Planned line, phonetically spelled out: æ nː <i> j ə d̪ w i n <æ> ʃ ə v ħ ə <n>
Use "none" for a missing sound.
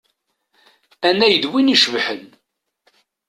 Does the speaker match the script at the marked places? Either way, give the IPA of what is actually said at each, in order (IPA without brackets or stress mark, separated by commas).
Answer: æ, i, n